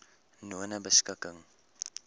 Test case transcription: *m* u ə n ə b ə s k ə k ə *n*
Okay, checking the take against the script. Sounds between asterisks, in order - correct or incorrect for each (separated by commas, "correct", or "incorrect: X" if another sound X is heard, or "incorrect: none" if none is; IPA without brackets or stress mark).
incorrect: n, incorrect: ŋ